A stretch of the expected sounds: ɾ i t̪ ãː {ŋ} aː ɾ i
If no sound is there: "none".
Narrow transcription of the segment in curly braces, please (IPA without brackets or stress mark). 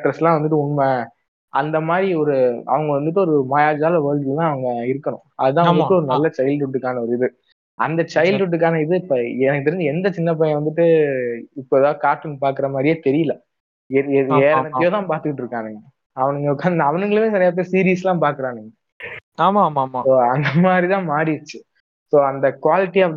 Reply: m